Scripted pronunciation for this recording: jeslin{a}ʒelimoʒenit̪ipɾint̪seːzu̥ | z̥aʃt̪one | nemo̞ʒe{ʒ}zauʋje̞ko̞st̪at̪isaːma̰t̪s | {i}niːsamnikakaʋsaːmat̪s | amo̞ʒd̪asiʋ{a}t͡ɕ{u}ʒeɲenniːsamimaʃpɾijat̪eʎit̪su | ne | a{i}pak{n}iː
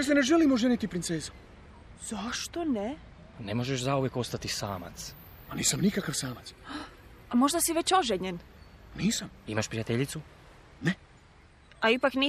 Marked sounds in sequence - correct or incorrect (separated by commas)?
incorrect, incorrect, incorrect, incorrect, incorrect, correct, correct